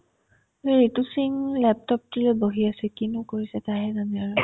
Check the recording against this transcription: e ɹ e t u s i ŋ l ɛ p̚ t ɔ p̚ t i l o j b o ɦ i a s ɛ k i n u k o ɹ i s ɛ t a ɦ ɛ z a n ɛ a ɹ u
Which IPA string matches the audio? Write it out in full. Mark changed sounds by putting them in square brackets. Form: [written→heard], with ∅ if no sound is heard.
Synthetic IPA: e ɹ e t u s i ŋ l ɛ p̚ t ɔ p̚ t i l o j b o ɦ i a s ɛ k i n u k o ɹ i s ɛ t a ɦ ɛ z a n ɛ a ɹ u